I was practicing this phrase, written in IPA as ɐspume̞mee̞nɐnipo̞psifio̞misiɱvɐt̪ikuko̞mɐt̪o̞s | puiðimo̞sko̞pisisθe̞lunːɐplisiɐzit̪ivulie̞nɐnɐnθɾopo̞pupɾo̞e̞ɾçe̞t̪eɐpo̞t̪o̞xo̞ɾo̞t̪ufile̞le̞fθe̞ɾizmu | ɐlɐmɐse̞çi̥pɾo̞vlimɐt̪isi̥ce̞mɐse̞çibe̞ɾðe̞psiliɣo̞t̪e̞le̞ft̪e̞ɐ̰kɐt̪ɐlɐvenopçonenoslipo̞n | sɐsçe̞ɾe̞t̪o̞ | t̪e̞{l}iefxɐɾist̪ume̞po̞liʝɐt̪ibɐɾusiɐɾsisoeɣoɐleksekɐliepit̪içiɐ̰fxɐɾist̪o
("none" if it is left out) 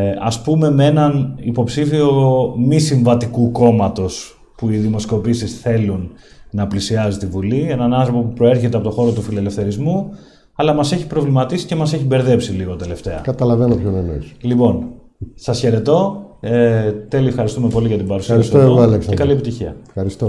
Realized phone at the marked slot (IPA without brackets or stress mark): l